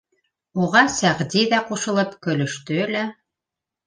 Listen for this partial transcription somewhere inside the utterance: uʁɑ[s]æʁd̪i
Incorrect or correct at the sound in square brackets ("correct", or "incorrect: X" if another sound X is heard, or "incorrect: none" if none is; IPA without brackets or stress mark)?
correct